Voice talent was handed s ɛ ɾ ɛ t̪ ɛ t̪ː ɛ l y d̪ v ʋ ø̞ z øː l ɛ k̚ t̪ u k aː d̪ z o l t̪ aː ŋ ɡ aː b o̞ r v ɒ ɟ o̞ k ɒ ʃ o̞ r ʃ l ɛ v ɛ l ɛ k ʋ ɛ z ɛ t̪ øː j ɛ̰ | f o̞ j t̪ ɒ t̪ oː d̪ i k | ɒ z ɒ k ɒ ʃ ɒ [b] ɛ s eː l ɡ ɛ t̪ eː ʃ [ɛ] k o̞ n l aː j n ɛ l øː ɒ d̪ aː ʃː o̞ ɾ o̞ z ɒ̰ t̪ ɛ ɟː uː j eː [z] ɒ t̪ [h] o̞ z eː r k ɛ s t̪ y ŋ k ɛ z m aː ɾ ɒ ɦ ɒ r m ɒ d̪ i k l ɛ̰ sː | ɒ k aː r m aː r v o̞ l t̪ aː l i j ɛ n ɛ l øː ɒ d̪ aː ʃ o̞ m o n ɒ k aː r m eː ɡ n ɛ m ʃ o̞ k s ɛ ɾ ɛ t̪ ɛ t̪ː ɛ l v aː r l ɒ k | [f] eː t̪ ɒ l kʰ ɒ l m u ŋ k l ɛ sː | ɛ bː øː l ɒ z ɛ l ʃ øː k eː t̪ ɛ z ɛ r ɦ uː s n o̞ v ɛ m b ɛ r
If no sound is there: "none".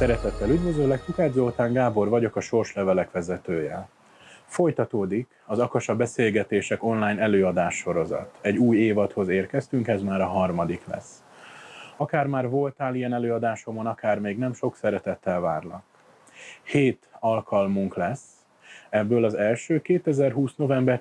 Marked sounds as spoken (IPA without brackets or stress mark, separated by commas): b, ɛ, v, h, h